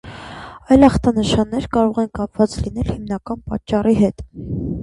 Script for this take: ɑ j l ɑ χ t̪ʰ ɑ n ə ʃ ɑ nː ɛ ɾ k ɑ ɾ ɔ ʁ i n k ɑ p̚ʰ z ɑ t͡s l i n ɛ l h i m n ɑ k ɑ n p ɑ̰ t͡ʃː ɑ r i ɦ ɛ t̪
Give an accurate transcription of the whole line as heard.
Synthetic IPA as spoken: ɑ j l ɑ χ t̪ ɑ n ə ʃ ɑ nː ɛ ɾ k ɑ ɾ ɔ ʁ ɛ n k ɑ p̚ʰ v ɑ t͡s l i n ɛ l h i m n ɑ k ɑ n p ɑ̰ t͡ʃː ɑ r i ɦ ɛ t̪